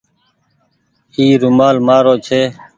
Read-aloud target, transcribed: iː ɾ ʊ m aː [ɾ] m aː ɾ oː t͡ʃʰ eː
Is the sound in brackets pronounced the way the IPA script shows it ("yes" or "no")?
no